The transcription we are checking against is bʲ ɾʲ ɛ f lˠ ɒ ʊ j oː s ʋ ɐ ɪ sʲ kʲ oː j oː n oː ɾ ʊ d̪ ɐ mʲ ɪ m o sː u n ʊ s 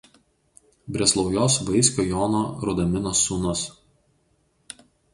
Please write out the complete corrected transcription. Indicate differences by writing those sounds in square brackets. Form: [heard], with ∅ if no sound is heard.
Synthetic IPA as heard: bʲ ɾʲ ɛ [s] lˠ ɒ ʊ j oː s ʋ ɐ ɪ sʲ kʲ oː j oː n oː ɾ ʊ d̪ ɐ mʲ ɪ [n] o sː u n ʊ s